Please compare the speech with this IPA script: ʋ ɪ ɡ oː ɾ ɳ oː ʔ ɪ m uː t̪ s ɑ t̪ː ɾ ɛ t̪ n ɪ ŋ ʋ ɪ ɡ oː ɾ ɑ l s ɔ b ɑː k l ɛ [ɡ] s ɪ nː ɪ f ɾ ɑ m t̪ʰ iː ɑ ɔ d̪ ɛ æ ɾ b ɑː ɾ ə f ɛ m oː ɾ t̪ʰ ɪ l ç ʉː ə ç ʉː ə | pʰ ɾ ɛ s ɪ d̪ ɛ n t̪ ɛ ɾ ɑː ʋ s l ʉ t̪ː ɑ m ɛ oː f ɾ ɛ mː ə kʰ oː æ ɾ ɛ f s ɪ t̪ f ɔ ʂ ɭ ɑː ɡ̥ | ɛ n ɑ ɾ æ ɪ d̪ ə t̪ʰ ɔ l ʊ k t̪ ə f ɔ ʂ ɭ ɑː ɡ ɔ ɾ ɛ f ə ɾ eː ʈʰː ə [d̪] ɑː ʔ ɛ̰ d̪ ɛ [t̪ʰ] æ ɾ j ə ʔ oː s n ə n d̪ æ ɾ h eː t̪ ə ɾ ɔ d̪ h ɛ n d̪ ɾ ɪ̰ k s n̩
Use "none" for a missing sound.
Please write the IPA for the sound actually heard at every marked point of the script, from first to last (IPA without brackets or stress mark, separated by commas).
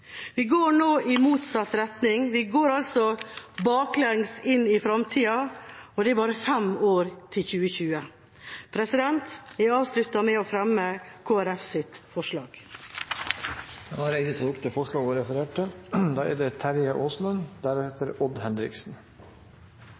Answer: ŋ, d̪, t̪ʰ